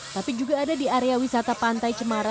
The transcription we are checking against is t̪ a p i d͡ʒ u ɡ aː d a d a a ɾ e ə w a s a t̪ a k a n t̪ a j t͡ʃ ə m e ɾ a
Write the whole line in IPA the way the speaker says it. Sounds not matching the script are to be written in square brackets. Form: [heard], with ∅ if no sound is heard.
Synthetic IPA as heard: t̪ a p i d͡ʒ u ɡ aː d a d [i] a ɾ e [a] w [i] s a t̪ a [p] a n t̪ a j t͡ʃ ə m [a] ɾ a

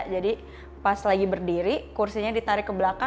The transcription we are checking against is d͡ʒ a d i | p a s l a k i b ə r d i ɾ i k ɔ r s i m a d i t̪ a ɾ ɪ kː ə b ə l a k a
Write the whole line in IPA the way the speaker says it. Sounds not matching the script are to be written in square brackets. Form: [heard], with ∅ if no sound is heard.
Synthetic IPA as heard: d͡ʒ a d i | p a s l a [ɡ] i b ə r d i ɾ i k [u] r s i [ɲ] a d i t̪ a ɾ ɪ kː ə b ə l a k a

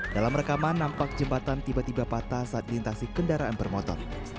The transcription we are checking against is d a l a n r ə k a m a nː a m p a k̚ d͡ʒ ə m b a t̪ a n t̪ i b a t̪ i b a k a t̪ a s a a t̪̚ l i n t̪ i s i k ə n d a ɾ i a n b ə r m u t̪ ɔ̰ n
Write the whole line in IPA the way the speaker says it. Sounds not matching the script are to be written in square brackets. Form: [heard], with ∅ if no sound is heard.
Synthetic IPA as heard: d a l a [m] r ə k a m a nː a m p a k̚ d͡ʒ ə m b a t̪ a n t̪ i b a t̪ i b a [p] a t̪ a s a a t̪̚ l i n t̪ [a] s i k ə n d a ɾ [a] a n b ə r m [ɔ] t̪ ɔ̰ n

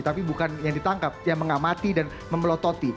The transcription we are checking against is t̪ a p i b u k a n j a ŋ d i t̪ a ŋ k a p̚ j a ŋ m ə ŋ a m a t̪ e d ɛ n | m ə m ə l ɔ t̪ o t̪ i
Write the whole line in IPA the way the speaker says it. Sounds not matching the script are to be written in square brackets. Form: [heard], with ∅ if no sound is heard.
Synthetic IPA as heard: t̪ a p i b u k a n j a ŋ d i t̪ a ŋ k a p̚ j a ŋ m ə ŋ a m a t̪ [i] d [a] n | m ə m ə l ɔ t̪ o t̪ i

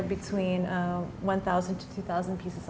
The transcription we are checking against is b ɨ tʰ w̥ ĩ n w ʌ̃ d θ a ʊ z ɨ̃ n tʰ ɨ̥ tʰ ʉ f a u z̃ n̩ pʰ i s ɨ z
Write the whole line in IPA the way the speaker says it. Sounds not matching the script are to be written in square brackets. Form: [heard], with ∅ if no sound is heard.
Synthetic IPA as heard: b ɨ tʰ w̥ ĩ n w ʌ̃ [n] θ a ʊ z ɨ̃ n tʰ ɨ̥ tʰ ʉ [θ] a [ʊ] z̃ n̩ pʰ i s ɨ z

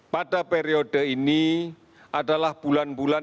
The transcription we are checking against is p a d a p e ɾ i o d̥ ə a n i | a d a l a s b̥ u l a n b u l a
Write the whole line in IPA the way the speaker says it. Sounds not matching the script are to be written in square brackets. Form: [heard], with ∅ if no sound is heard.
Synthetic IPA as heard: p a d a p e ɾ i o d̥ ə [i] n i | a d a l a [h] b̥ u l a n b u l a

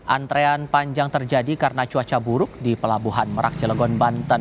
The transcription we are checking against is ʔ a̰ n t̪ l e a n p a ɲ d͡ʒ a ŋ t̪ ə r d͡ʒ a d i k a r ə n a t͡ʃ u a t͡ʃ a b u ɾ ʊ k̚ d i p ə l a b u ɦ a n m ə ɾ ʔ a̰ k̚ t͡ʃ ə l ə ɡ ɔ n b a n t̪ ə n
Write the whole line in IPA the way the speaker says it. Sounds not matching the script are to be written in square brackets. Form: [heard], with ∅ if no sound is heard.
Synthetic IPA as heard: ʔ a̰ n t̪ [ɾ] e a n p a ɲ d͡ʒ a ŋ t̪ ə r d͡ʒ a d i k a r ə n a t͡ʃ u a t͡ʃ a b u ɾ ʊ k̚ d i p ə l a b u ɦ a n m ə ɾ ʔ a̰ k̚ t͡ʃ ə l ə ɡ ɔ n b a n t̪ ə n

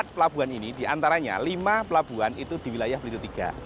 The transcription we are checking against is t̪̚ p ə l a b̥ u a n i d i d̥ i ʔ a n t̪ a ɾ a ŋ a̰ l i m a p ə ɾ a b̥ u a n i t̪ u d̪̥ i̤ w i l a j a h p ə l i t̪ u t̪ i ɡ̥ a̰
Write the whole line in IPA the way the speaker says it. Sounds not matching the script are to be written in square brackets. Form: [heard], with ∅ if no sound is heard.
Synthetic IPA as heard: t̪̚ p ə l a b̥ u a n i [n] i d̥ i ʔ a n t̪ a ɾ a [ɲ] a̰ l i m a p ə [l] a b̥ u a n i t̪ u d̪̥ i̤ w i l a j a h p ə l i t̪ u t̪ i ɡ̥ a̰

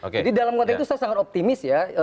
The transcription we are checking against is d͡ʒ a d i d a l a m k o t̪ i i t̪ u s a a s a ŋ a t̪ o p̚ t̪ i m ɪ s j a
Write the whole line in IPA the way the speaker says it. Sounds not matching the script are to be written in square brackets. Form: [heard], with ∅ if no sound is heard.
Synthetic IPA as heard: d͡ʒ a d i d a l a m k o t̪ [a] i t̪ u s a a s a ŋ a t̪ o p̚ t̪ i m ɪ s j a

